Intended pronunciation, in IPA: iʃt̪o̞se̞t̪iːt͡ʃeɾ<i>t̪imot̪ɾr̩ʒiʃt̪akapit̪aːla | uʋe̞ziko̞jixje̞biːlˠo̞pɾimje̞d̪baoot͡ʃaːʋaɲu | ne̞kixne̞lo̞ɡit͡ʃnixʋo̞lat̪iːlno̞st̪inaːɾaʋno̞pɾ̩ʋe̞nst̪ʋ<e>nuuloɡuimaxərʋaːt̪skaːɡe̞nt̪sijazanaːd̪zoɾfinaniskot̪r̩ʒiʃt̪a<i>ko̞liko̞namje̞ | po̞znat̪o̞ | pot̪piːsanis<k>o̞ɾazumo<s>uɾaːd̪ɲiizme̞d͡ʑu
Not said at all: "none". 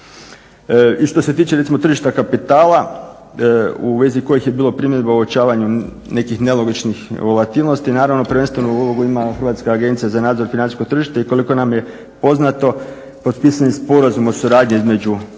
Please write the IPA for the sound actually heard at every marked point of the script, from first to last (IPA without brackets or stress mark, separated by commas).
e, e, i, p, s